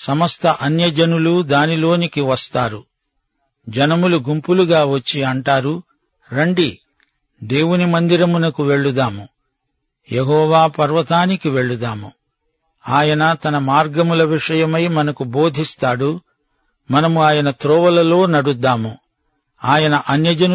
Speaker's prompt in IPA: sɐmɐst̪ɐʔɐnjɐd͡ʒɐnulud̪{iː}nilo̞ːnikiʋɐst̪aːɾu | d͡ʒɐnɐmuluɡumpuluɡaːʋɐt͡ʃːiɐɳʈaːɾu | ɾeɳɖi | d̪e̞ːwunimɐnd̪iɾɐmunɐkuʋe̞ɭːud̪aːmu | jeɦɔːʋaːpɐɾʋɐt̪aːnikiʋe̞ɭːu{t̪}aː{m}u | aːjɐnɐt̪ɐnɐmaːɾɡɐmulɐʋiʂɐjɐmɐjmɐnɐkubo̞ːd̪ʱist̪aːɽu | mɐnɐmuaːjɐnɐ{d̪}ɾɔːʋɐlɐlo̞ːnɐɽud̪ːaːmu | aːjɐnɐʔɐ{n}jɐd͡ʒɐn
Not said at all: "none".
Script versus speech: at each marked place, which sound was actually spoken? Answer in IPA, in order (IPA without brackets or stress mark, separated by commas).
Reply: aː, d̪, m, t̪, n